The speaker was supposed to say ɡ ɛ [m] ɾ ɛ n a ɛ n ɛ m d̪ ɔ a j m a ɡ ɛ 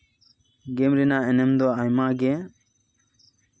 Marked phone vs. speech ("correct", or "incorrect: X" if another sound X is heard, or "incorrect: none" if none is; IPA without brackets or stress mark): correct